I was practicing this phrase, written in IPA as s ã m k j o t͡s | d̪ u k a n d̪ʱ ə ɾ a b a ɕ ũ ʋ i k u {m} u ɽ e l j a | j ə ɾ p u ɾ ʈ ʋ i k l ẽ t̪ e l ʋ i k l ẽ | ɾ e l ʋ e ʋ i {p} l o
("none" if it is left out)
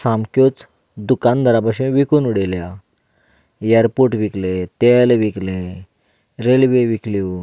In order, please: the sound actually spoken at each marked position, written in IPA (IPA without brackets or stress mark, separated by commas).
n, k